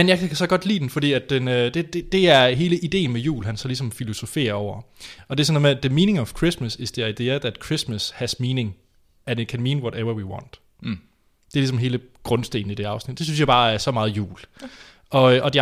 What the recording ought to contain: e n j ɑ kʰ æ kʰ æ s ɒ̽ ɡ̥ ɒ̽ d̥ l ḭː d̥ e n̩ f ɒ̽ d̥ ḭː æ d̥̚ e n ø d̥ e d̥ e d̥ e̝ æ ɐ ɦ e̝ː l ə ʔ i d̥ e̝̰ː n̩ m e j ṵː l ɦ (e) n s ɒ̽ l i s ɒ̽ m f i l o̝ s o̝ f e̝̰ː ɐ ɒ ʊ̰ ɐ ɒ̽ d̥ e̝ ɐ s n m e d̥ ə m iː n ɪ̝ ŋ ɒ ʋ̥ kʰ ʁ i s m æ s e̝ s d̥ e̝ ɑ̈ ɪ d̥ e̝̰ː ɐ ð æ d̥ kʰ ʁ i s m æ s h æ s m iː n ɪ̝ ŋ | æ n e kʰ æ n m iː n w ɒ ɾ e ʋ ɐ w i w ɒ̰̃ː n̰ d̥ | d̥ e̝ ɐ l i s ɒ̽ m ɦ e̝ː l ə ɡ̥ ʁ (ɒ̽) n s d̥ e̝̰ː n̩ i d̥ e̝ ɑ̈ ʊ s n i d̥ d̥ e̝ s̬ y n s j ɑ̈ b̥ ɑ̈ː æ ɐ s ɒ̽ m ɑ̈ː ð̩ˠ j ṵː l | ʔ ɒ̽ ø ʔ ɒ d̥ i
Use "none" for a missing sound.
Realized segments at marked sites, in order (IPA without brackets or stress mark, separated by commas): æ, ɔ̽